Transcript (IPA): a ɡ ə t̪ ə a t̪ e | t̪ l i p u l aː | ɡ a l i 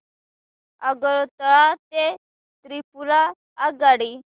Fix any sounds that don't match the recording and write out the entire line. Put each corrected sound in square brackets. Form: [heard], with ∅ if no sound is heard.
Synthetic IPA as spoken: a ɡ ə t̪ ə a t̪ e | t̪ [ɾ] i p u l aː | ɡ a [ɽ] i